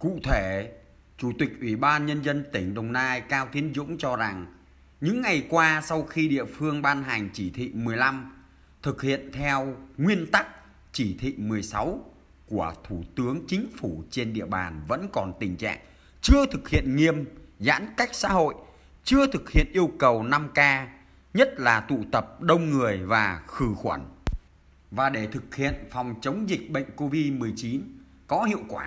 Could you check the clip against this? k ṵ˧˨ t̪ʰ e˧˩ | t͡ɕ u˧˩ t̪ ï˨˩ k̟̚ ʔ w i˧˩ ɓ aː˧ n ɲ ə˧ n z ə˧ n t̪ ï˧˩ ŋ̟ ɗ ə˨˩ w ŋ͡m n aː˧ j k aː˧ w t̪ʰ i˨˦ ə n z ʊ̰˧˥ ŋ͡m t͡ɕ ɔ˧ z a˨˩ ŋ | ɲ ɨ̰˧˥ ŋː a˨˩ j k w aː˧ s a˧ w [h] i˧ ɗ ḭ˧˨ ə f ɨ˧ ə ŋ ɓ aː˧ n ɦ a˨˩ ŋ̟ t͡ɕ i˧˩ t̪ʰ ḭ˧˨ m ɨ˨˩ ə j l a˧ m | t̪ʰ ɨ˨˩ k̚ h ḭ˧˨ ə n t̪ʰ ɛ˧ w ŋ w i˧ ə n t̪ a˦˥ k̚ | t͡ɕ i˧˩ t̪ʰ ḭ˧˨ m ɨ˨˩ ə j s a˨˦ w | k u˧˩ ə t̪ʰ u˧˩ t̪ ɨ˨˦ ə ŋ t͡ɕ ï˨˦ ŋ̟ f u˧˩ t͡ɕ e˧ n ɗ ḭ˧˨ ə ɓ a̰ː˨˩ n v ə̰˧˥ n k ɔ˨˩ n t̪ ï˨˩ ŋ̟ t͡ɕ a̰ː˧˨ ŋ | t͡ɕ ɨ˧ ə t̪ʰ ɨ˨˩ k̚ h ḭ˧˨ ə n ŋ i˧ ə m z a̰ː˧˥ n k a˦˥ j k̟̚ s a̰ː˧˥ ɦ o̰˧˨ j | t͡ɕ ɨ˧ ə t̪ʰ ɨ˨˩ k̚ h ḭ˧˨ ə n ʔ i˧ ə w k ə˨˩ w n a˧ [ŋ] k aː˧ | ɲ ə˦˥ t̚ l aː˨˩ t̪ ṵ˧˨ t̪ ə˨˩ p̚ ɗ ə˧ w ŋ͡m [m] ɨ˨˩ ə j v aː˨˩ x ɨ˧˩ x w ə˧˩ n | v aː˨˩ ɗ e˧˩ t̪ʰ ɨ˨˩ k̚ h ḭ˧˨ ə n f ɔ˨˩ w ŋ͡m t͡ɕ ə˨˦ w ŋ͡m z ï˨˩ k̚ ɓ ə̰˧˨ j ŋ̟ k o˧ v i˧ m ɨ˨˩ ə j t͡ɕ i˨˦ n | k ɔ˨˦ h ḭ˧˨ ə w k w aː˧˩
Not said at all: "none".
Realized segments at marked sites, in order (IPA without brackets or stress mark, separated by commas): x, m, ŋ